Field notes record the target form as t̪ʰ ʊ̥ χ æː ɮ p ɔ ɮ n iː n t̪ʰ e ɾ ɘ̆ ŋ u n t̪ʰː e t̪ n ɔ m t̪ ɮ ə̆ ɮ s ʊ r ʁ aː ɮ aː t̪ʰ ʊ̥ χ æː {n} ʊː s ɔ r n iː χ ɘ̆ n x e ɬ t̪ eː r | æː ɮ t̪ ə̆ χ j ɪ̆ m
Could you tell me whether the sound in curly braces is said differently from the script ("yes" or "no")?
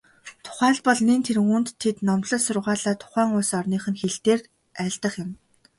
yes